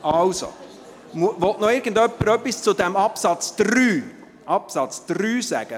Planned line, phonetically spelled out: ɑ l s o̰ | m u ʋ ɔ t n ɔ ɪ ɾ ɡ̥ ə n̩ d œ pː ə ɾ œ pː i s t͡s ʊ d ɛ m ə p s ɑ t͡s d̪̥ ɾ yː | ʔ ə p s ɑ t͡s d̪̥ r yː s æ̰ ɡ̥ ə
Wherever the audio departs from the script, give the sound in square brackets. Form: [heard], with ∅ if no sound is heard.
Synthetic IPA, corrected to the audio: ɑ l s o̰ | m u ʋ ɔ t n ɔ ɪ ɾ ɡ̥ ə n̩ d œ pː ə ɾ œ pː i s t͡s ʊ d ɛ m [ɑ] p s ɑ t͡s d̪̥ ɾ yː | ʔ [ɑ] p s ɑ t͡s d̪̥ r yː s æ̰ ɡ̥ ə

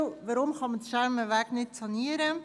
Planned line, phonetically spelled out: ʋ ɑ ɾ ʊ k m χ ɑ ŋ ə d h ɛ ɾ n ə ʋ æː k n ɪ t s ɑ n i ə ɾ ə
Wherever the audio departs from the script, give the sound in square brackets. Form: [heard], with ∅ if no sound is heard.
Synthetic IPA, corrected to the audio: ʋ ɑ ɾ ʊ [∅] m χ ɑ [m] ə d [ʃ] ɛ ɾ [m] ə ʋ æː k n ɪ t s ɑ n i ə ɾ ə

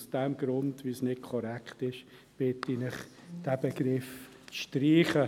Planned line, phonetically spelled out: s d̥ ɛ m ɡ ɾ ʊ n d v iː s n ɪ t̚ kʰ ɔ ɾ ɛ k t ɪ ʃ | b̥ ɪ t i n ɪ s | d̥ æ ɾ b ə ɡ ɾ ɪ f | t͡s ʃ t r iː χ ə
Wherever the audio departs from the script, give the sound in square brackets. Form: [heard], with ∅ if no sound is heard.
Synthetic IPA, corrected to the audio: s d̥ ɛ m ɡ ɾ ʊ n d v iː s n ɪ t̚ kʰ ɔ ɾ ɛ k t ɪ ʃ | b̥ ɪ t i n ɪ [χ] | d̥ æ [∅] b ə ɡ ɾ ɪ f | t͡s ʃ t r iː χ ə

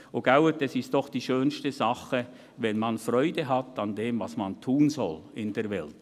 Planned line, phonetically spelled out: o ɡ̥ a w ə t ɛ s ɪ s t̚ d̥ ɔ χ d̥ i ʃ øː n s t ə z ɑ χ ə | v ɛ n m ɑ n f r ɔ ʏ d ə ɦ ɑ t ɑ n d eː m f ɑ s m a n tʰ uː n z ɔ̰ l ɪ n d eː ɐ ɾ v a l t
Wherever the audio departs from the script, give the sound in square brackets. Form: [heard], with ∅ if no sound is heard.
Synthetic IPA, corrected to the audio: o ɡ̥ a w ə t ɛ s ɪ s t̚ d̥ ɔ χ d̥ [iː] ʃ øː n s t ə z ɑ χ ə | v ɛ n m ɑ n f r ɔ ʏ d ə ɦ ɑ t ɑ n d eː m [v] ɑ s m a n tʰ uː n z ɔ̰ l ɪ n d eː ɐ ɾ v [ɛ] l t

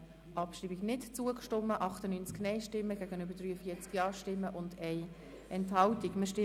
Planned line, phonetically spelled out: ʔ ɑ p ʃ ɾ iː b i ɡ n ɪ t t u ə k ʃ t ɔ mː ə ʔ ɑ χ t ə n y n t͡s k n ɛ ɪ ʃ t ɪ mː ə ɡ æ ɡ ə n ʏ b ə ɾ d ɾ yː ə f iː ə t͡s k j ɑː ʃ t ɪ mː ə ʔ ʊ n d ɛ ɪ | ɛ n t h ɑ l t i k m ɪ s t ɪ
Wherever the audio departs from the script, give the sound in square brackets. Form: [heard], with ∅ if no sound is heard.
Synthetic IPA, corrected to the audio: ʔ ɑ p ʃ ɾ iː b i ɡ n ɪ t [t͡s] u ə k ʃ t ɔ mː ə ʔ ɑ χ t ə n y n t͡s k n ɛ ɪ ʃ t ɪ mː ə ɡ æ ɡ ə n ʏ b ə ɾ d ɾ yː ə f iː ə t͡s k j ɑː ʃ t ɪ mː ə ʔ ʊ n d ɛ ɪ | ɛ n t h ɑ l t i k m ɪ [ʃ] t ɪ

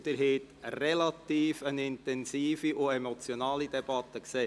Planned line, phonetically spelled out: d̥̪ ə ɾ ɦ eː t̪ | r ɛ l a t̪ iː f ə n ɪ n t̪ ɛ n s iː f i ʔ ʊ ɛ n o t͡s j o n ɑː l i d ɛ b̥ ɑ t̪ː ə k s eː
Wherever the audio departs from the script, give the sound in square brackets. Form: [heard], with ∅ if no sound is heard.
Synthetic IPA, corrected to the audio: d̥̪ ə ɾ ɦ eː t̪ | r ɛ l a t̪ iː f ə n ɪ n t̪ ɛ n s iː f i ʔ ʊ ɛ [m] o t͡s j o n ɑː l i d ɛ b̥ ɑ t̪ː ə k s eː

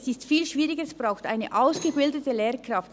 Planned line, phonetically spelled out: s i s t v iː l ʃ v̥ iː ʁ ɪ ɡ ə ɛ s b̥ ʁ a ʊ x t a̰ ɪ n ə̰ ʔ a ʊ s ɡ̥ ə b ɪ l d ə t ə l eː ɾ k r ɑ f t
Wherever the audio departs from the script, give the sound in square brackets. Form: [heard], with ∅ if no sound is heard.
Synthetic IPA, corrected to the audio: s [ɪ] s t [f] iː l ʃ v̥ iː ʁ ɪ ɡ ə ɛ s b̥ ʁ a ʊ x t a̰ ɪ n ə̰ ʔ a ʊ s ɡ̥ ə b ɪ l d ə t ə l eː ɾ k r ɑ f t

